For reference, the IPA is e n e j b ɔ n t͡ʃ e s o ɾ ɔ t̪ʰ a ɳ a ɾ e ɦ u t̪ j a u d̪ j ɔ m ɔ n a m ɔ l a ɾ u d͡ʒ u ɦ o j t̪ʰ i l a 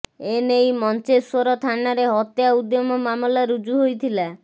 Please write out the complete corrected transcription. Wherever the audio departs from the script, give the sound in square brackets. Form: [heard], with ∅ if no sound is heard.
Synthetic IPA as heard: e n e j [m] ɔ n t͡ʃ e s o ɾ ɔ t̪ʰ a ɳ a ɾ e ɦ [ɔ] t̪ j a u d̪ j ɔ m ɔ [m] a m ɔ l a ɾ u d͡ʒ u ɦ o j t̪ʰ i l a